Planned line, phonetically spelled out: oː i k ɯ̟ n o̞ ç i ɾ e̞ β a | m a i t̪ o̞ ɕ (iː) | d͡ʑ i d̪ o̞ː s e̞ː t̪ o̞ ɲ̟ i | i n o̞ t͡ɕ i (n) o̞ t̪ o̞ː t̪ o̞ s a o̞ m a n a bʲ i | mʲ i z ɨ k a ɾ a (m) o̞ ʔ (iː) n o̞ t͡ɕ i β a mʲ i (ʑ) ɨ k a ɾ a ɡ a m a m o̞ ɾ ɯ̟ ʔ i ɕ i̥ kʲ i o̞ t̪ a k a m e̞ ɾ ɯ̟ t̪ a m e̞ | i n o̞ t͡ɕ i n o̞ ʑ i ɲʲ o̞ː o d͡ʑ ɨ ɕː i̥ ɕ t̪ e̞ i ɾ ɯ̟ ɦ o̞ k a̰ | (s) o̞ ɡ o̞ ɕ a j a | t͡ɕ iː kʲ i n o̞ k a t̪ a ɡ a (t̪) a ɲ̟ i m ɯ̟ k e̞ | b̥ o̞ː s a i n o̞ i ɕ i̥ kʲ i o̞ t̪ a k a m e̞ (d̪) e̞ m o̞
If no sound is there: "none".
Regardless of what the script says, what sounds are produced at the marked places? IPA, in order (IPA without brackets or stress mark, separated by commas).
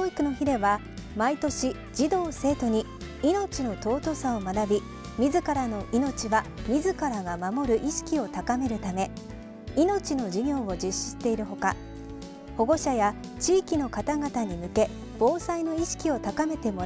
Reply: i, n, n, i, z, h, t̪, t̪